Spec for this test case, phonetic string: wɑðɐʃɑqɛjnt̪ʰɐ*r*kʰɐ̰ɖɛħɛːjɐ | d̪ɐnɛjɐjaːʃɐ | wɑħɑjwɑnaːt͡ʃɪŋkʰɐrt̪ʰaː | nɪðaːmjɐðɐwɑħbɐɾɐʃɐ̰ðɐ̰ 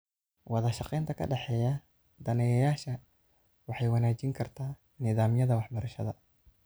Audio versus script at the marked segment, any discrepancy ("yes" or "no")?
yes